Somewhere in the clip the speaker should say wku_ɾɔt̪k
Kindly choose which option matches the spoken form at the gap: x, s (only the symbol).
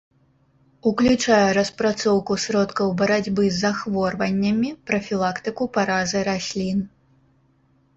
s